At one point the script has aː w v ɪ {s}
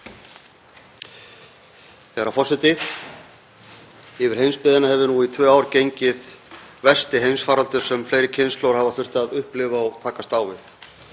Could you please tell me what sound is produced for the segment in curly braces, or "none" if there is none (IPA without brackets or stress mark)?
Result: θ